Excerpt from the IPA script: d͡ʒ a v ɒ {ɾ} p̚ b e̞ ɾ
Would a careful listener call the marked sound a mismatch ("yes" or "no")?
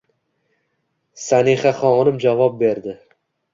yes